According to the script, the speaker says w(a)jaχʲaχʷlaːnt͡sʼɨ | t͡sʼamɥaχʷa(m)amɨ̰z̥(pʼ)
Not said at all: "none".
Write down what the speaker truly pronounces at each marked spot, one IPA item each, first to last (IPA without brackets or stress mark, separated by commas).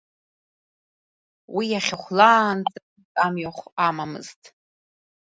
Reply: i, m, tʼ